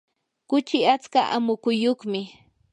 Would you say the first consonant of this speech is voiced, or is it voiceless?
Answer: voiceless